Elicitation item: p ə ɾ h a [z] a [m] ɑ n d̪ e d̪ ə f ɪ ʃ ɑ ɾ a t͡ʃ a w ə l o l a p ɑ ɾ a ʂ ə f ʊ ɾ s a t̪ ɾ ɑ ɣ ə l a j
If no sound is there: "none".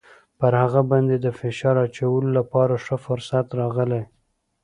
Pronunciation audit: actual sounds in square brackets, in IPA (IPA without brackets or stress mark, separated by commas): ɣ, b